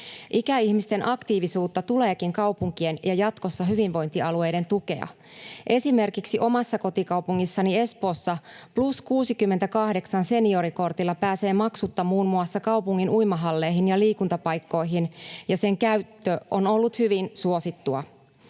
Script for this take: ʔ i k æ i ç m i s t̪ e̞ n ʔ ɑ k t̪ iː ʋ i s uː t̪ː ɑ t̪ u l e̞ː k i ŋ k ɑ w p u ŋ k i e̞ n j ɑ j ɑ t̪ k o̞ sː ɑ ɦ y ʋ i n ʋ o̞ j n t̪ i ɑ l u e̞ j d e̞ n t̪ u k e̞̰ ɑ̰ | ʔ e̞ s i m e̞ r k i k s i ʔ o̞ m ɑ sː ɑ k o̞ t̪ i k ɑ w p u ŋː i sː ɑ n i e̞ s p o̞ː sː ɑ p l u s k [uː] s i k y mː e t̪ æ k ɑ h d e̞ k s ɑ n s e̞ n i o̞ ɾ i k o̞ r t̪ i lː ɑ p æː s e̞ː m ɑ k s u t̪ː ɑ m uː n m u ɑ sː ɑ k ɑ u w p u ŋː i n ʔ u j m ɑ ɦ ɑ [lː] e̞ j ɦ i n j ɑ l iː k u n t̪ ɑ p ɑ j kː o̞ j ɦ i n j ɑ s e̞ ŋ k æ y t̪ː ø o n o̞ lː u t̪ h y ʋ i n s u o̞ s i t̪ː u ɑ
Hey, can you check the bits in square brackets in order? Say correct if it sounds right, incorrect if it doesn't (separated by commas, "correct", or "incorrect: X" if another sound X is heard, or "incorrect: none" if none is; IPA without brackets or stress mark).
correct, correct